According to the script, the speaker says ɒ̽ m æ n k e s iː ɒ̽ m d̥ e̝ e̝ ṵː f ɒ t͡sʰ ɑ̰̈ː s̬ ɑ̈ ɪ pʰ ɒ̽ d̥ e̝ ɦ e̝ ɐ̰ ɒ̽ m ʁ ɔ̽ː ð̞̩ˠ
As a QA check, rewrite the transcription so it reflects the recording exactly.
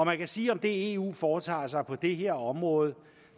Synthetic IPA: ɒ̽ m æ n k æ s iː ɒ̽ m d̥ e̝ e̝ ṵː f ɒː t͡sʰ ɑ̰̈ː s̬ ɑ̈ ɪ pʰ ɒ̽ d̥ e̝ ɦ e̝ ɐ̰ ɒ̽ m ʁ ɔ̽ː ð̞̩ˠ